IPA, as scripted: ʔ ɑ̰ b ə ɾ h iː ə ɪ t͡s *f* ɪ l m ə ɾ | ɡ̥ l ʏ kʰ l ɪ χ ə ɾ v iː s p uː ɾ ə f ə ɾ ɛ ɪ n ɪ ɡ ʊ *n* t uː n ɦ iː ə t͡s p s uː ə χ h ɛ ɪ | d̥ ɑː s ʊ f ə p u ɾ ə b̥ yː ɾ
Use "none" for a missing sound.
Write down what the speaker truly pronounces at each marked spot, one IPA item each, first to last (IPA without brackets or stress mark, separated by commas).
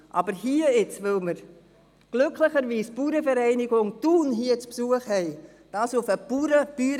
v, ŋ